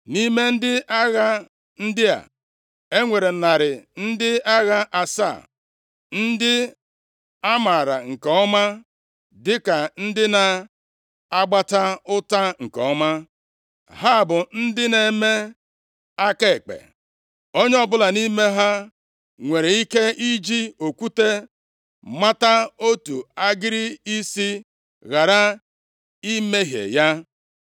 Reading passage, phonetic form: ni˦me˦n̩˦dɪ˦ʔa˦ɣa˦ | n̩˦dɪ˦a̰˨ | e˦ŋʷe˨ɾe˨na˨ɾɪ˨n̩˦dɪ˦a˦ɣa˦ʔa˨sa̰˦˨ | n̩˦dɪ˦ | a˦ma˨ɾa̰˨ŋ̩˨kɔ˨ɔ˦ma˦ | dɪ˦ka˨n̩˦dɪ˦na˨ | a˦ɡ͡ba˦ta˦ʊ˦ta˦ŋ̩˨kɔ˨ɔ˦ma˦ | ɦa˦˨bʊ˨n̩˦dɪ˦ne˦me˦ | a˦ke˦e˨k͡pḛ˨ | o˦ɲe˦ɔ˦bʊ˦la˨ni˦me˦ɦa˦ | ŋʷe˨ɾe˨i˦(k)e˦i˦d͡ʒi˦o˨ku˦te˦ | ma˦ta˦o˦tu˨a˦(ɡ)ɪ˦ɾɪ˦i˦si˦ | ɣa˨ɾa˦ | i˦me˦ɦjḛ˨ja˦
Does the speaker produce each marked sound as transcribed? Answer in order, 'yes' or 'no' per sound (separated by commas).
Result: yes, yes